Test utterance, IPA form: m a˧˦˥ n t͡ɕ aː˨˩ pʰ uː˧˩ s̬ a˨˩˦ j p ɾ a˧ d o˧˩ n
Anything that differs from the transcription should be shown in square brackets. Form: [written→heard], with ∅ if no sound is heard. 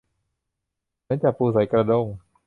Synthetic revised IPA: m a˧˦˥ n t͡ɕ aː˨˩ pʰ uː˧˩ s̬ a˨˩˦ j [p→k] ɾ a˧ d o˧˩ [n→ŋ]